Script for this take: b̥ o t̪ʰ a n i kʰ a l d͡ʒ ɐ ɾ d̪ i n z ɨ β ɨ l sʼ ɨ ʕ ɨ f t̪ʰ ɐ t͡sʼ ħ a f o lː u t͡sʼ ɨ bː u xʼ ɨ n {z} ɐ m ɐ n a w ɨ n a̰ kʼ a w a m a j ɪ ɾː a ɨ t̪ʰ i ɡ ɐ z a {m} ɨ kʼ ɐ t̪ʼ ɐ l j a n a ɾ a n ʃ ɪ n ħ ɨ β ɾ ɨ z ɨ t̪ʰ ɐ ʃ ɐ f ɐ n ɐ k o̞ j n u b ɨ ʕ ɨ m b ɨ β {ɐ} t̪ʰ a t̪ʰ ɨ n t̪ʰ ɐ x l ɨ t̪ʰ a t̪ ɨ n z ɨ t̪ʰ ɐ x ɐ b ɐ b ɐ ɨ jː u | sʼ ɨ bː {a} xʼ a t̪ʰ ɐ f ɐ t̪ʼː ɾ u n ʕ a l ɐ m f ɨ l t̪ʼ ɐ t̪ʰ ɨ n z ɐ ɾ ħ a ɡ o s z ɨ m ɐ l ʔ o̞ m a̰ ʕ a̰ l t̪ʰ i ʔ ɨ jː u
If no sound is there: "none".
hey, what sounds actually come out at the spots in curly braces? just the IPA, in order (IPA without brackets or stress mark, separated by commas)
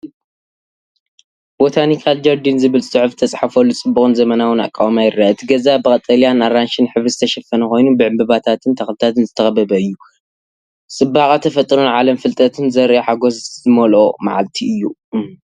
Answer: z, b, a, a